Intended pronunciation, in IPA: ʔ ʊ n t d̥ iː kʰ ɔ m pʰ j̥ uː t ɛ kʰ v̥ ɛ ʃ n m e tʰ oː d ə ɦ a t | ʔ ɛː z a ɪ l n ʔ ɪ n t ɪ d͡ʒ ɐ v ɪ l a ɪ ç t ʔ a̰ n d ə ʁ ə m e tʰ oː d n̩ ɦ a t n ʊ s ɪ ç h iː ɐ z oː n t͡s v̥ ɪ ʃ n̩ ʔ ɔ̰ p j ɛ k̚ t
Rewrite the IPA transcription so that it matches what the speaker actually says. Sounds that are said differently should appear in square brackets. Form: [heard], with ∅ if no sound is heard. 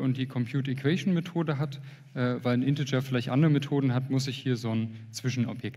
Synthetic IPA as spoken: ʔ ʊ n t d̥ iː kʰ ɔ m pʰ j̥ uː t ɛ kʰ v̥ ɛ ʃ n m e tʰ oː d ə ɦ a t | ʔ ɛː [v] a ɪ l n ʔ ɪ n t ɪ d͡ʒ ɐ [f] ɪ l a ɪ ç t ʔ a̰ n d ə ʁ ə m e tʰ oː d n̩ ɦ a t [m] ʊ s ɪ ç h iː ɐ z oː n t͡s v̥ ɪ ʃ n̩ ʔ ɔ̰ p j ɛ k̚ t